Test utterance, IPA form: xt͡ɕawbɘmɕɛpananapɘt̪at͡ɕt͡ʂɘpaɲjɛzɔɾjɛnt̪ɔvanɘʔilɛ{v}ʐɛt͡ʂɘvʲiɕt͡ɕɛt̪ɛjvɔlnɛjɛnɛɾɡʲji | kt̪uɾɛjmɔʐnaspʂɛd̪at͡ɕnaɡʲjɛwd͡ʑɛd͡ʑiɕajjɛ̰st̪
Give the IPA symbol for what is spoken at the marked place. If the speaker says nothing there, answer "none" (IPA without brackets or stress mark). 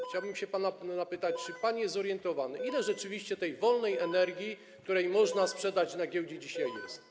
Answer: none